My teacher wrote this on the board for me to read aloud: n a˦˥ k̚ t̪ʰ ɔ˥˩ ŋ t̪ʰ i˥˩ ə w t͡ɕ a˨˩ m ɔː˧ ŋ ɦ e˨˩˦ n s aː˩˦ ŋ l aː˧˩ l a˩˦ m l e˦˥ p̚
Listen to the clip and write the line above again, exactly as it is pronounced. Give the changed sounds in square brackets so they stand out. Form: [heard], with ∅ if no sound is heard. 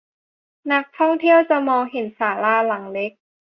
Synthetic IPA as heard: n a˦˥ k̚ t̪ʰ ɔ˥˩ ŋ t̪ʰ i˥˩ ə w t͡ɕ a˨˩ m ɔː˧ ŋ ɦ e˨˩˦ n s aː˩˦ [∅] l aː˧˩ l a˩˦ [ŋ] l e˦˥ [k̚]